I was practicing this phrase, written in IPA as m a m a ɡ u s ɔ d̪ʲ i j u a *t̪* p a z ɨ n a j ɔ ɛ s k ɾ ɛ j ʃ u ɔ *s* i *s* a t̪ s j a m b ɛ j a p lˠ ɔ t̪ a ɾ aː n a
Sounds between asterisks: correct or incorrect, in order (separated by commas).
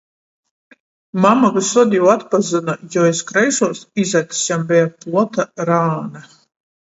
correct, correct, incorrect